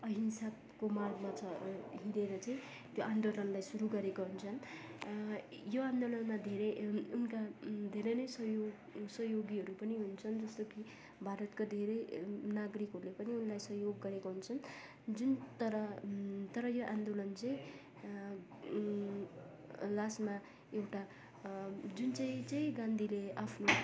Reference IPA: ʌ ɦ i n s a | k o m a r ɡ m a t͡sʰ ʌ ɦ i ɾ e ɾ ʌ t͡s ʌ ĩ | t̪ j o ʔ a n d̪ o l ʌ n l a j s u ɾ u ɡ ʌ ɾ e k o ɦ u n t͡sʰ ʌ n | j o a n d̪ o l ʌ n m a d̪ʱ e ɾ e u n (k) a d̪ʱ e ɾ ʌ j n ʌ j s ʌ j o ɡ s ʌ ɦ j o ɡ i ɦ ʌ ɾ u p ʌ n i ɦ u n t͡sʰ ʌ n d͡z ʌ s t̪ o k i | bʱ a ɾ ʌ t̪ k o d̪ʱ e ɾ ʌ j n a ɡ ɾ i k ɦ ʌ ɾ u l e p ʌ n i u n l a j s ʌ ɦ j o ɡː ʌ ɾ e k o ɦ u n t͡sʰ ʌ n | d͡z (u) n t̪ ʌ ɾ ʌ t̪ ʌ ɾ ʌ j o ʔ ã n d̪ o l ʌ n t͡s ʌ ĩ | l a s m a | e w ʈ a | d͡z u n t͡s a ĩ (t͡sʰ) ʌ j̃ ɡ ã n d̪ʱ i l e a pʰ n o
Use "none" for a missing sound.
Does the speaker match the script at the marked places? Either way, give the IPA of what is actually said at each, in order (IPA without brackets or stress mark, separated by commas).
k, u, t͡s